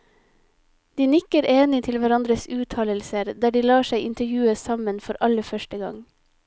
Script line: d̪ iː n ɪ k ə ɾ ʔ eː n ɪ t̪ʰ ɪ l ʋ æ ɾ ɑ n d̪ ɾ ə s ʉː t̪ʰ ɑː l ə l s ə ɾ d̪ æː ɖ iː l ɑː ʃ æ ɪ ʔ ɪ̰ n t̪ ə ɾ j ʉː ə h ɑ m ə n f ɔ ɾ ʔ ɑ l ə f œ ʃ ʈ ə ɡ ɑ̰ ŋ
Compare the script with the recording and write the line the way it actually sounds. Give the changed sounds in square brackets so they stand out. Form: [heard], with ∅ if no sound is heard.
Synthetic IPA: d̪ iː n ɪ k ə ɾ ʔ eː n ɪ t̪ʰ ɪ l ʋ æ ɾ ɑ n d̪ ɾ ə s ʉː t̪ʰ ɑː l ə l s ə ɾ d̪ æː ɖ iː l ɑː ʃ æ ɪ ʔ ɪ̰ n t̪ ə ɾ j ʉː ə [s] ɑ m ə n f ɔ ɾ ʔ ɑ l ə f œ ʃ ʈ ə ɡ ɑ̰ ŋ

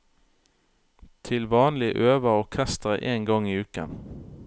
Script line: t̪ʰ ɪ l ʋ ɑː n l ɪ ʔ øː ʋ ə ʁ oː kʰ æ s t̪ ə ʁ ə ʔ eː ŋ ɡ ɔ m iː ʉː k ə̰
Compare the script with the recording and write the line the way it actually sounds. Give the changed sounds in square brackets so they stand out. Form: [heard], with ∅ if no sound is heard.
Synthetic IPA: t̪ʰ ɪ l ʋ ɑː n l ɪ ʔ øː ʋ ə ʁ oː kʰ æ s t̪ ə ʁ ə ʔ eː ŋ ɡ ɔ [ŋ] iː ʉː k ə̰

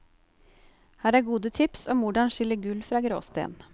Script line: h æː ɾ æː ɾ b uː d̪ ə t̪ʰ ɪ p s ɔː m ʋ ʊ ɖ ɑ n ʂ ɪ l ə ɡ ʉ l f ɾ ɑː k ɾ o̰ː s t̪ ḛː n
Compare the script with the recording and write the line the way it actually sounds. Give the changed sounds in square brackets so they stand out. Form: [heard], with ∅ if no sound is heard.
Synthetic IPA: h æː ɾ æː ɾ [ɡ] uː d̪ ə t̪ʰ ɪ p s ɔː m ʋ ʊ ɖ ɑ n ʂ ɪ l ə ɡ ʉ l f ɾ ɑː [ɡ] ɾ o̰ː s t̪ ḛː n

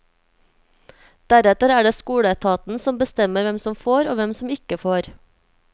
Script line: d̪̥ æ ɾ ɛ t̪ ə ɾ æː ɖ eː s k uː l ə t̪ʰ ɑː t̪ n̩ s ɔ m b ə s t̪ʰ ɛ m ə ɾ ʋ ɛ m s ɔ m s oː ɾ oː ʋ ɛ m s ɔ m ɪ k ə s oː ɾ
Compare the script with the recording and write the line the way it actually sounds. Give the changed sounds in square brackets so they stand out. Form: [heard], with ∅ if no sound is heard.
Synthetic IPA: d̪̥ æ ɾ ɛ t̪ ə ɾ æː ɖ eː s k uː [ɽ] ə t̪ʰ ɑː t̪ n̩ s ɔ m b ə s [t̪] ɛ m ə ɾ ʋ ɛ m s ɔ m [f] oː ɾ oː ʋ ɛ m s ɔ m ɪ k ə [f] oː ɾ

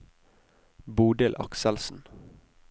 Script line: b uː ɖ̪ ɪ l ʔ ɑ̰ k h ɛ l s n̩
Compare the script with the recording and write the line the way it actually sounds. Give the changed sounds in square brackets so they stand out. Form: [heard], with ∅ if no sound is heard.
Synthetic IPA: b uː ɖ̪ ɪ l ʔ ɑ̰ k [s] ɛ l s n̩

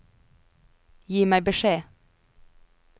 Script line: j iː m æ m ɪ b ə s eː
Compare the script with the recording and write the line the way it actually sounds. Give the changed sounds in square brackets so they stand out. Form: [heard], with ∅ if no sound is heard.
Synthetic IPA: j iː m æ [∅] ɪ b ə [ʃ] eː

